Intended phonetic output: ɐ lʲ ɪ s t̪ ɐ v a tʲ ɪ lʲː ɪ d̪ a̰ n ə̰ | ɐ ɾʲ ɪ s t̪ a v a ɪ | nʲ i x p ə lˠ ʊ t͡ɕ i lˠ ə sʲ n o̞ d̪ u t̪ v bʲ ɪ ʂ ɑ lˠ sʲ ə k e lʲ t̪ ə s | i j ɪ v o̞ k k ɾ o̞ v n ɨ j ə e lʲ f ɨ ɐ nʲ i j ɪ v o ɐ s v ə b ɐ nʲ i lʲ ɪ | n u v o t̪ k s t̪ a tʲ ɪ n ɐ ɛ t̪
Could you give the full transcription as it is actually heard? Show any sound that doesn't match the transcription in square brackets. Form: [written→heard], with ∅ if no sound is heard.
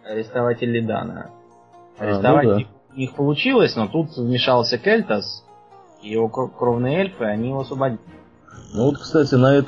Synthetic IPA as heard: ɐ [lʲ→ɾʲ] ɪ s t̪ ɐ v a tʲ ɪ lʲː ɪ d̪ a̰ n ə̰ | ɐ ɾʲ ɪ s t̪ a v a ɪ | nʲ i x p ə lˠ ʊ t͡ɕ i lˠ ə sʲ n o̞ [d̪→t̪] u t̪ v [bʲ→mʲ] ɪ ʂ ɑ lˠ sʲ ə k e lʲ t̪ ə s | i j ɪ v o̞ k k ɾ o̞ v n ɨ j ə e lʲ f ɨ ɐ nʲ i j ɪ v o ɐ s v ə b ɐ [nʲ→dʲ] i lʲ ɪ | n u v o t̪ k s t̪ a tʲ ɪ n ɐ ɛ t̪